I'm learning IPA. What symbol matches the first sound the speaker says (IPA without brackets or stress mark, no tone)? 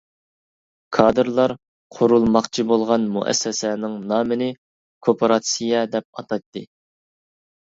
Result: kʰ